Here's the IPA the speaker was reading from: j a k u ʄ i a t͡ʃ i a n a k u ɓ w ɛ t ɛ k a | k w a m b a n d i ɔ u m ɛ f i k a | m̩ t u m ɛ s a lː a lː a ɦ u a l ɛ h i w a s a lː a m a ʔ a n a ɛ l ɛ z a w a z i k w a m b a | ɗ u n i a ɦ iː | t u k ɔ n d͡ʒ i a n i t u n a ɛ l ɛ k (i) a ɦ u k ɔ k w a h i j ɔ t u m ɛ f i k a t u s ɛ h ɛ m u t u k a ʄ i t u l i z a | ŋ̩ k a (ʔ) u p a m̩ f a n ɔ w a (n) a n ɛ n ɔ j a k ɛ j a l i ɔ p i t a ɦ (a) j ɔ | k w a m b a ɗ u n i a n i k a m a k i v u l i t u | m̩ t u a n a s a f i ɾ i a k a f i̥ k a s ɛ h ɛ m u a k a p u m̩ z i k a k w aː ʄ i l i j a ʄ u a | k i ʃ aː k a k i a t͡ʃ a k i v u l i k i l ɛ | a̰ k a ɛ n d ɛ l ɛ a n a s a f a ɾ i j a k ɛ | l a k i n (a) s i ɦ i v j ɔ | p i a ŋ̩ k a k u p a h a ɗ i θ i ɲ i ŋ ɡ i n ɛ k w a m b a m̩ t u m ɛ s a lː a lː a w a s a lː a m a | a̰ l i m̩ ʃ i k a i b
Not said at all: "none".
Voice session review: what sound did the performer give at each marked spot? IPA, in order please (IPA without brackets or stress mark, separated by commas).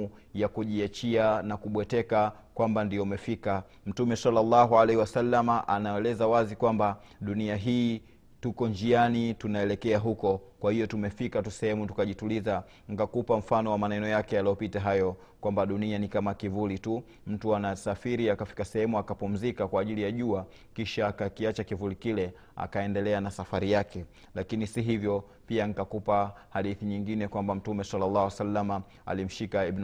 ɛ, k, m, a, i